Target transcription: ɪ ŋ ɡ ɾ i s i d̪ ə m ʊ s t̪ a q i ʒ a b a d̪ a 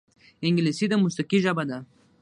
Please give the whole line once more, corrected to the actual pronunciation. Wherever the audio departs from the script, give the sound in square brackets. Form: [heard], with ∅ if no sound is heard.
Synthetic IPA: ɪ ŋ ɡ [l] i s i d̪ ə m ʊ s t̪ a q i ʒ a b a d̪ a